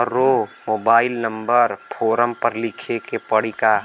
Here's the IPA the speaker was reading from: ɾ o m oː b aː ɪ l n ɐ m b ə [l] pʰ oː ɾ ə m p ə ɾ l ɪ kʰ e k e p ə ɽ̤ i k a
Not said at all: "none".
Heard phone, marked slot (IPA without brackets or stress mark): ɾ